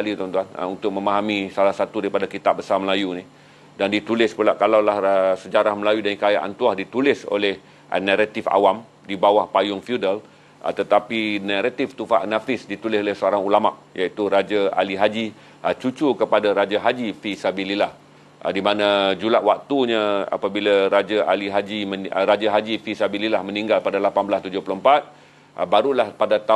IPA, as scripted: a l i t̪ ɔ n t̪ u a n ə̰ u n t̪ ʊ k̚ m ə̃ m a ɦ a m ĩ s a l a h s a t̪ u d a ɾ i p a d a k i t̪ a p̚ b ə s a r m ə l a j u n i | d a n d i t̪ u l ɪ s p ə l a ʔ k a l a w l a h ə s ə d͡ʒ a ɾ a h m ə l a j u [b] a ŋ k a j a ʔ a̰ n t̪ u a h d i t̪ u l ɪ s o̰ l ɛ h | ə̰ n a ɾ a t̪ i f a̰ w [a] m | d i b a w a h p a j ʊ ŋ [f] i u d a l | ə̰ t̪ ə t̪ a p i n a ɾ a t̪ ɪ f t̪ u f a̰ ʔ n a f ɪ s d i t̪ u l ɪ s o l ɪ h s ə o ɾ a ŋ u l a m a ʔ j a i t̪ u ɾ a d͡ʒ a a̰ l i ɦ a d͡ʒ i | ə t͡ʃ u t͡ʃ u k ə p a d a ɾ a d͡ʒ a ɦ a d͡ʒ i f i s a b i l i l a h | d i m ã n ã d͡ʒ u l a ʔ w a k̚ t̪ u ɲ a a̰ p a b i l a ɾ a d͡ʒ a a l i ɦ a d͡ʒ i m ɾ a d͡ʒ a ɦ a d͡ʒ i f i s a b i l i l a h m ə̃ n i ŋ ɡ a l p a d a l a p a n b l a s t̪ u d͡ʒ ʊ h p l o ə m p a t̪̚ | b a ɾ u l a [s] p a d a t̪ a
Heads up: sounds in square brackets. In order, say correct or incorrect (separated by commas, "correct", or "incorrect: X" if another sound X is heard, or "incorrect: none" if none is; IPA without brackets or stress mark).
incorrect: d, correct, correct, incorrect: h